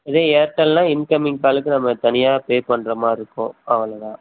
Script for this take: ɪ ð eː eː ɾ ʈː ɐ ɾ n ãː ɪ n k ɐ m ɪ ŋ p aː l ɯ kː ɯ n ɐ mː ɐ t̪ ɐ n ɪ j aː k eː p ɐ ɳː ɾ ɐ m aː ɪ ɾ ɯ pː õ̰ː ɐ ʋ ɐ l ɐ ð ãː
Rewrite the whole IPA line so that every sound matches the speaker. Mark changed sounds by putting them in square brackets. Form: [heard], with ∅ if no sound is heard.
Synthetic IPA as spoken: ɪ ð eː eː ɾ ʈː ɐ [l] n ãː ɪ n k ɐ m ɪ ŋ [k] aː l ɯ kː ɯ n ɐ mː ɐ t̪ ɐ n ɪ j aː [p] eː p ɐ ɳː ɾ ɐ m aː ɪ ɾ ɯ [kː] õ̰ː ɐ ʋ ɐ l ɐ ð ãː